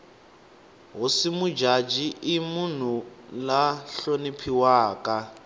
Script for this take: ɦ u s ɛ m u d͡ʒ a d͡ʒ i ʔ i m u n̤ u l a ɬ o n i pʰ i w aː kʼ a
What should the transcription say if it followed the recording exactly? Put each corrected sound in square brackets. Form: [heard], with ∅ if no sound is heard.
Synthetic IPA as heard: ɦ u s [i] m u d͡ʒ a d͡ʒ i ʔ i m u n̤ u l a ɬ o n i pʰ i w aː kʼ a

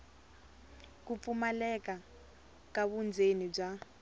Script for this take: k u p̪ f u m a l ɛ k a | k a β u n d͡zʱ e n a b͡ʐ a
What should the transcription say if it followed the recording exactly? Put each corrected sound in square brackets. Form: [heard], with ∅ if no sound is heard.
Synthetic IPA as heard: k u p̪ f u m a l ɛ k a | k a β u n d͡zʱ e n [i] b͡ʐ a

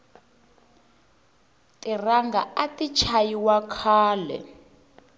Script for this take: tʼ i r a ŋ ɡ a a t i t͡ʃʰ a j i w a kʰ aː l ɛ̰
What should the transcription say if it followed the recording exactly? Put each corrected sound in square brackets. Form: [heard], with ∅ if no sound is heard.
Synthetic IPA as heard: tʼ i r a ŋ ɡ a a t i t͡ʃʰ a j i w a kʰ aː l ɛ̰

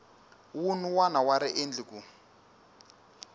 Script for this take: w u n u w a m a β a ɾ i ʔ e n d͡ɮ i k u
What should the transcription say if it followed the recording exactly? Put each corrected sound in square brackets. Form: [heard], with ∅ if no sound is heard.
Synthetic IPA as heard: w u n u w a [n] a [w] a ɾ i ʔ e n d͡ɮ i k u

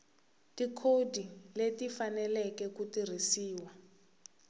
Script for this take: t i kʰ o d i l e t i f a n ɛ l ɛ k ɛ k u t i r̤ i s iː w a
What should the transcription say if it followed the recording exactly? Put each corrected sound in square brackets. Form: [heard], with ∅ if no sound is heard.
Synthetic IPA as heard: t i kʰ o d i l e t i f a n ɛ l ɛ k ɛ k u t i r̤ i s iː w a

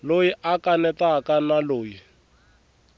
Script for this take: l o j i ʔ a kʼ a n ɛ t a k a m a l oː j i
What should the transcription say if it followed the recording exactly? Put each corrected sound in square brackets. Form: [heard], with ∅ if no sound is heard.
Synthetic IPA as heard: l o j i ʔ a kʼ a n ɛ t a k a [n] a l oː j i

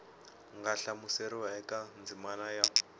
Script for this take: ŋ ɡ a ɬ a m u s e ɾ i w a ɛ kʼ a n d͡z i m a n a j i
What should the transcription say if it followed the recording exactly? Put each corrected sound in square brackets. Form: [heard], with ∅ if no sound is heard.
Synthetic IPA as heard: ŋ ɡ a ɬ a m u s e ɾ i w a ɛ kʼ a n d͡z i m a n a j [a]

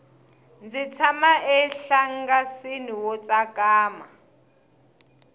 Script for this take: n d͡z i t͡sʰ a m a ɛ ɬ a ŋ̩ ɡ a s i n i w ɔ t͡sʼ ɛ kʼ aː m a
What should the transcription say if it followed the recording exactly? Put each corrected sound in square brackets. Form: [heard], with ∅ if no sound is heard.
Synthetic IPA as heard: n d͡z i t͡sʰ a m a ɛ ɬ a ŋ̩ ɡ a s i n i w ɔ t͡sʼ [a] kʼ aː m a

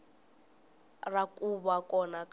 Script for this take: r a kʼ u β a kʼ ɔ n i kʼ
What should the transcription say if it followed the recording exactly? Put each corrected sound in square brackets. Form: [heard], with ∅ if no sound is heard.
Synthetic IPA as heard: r a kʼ u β a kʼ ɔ n [a] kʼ

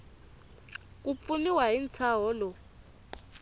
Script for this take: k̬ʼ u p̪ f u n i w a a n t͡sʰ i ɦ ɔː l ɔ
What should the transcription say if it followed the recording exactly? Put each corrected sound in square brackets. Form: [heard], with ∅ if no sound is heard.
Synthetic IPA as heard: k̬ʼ u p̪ f u n i w a [i] n t͡sʰ [a] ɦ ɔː l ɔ

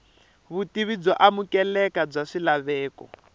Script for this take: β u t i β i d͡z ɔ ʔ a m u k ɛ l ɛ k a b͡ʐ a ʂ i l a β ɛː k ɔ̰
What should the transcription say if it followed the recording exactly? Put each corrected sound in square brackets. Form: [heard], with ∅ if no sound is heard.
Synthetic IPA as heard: β u t i β i d͡z ɔ ʔ a m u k ɛ l ɛ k a b͡ʐ a ʂ i l a β ɛː k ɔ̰

